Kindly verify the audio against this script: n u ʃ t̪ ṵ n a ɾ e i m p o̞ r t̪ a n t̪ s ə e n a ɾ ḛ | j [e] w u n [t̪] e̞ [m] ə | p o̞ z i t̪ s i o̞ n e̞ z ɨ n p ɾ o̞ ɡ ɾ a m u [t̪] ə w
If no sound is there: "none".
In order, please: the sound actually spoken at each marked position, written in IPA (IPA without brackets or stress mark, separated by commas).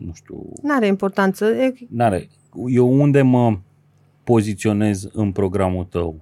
e, d̪, m, t̪